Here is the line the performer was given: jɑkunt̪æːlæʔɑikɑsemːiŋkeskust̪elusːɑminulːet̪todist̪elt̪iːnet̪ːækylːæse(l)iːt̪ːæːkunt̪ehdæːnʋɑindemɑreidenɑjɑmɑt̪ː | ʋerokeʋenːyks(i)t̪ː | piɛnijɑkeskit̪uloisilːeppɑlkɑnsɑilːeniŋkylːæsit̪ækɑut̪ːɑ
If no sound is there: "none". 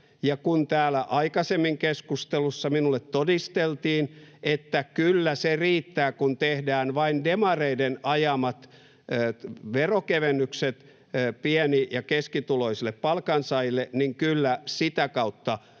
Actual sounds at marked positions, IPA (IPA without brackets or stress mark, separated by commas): r, e